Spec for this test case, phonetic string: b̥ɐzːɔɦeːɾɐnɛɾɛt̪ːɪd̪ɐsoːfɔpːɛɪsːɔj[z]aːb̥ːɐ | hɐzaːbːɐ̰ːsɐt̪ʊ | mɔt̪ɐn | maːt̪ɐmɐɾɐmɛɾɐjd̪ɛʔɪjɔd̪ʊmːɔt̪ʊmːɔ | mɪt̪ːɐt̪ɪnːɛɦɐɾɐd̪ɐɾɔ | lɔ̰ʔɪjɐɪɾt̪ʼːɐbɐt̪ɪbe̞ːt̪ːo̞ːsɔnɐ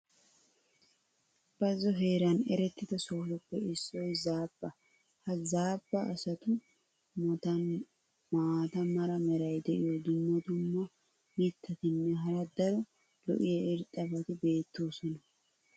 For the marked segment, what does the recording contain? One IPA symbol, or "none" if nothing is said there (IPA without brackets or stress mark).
z